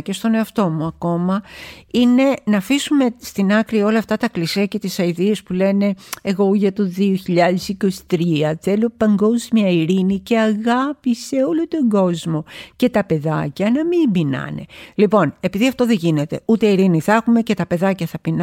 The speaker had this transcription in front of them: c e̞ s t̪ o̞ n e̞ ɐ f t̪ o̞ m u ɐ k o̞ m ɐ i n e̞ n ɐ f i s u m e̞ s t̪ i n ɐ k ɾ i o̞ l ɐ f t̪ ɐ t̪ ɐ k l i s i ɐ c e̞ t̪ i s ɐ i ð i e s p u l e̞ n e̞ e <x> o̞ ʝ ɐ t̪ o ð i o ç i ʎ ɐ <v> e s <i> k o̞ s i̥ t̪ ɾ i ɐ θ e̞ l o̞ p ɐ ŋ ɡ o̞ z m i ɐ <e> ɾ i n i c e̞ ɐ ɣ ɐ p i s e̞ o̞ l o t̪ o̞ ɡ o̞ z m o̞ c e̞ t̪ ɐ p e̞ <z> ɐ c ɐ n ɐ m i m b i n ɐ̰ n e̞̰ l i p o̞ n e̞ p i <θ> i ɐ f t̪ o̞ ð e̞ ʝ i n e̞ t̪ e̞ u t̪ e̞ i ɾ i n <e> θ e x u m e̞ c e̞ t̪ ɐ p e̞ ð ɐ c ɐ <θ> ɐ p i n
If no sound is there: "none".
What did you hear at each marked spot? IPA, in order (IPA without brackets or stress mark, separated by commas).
ɣ, ð, i, i, ð, ð, i, θ